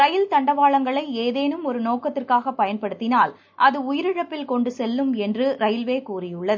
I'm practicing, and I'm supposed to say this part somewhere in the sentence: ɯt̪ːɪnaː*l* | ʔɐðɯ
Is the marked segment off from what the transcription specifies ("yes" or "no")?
no